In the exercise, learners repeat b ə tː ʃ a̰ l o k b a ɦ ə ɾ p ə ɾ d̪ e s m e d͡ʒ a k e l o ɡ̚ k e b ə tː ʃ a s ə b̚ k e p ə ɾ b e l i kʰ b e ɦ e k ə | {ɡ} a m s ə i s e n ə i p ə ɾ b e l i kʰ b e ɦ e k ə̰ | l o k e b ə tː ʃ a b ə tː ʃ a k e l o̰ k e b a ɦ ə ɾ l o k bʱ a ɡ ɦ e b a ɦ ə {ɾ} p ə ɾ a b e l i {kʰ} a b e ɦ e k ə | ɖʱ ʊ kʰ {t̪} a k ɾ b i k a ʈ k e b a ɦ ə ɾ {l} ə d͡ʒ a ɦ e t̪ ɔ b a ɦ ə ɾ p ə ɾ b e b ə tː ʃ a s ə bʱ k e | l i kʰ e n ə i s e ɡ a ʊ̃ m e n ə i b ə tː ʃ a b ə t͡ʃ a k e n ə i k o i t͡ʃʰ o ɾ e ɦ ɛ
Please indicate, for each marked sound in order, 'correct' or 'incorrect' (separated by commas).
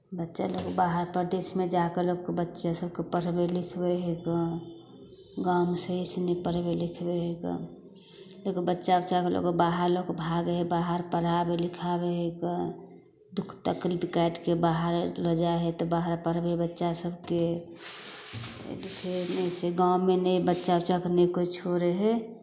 correct, correct, correct, correct, correct